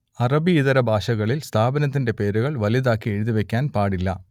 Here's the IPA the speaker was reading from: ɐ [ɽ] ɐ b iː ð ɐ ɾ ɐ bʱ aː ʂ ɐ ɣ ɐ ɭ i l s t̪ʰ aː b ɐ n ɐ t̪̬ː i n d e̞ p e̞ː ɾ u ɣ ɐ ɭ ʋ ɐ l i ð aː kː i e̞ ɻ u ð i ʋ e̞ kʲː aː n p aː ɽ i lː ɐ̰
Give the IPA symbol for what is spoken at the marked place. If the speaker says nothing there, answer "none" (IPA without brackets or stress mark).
r